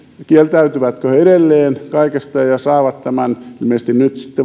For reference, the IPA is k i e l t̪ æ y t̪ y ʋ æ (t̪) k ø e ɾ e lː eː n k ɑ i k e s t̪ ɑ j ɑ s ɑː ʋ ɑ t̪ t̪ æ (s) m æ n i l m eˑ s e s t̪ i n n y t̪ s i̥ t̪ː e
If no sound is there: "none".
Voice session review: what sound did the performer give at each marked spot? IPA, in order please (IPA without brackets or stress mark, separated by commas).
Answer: t̪, none